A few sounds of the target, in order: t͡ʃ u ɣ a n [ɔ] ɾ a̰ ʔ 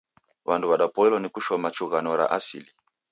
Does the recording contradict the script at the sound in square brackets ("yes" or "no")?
no